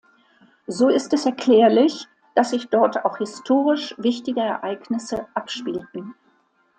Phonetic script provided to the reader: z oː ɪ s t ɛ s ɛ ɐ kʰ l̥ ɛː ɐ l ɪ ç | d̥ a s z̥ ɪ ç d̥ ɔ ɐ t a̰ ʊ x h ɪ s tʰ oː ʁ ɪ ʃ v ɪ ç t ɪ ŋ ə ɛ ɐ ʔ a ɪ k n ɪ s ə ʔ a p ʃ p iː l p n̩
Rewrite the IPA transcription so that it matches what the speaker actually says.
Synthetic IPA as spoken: z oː ɪ s t ɛ s ɛ ɐ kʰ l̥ ɛː ɐ l ɪ ç | d̥ a s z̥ ɪ ç d̥ ɔ ɐ t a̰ ʊ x h ɪ s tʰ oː ʁ ɪ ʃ v ɪ ç t ɪ ɡ ə ɛ ɐ ʔ a ɪ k n ɪ s ə ʔ a p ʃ p iː l t n̩